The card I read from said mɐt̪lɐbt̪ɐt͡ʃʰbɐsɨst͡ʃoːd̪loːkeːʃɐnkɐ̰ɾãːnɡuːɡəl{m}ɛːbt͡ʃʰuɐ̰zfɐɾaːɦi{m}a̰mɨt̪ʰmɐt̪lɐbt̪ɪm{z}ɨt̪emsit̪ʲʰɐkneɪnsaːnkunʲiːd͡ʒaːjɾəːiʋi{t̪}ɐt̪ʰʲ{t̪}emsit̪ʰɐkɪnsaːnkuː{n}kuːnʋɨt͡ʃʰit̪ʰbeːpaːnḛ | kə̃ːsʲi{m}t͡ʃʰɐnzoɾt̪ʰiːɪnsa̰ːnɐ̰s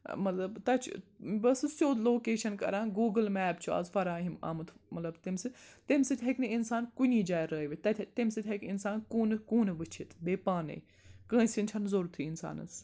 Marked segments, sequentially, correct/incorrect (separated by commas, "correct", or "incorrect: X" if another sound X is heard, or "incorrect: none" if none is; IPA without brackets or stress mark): correct, correct, incorrect: s, correct, correct, correct, incorrect: n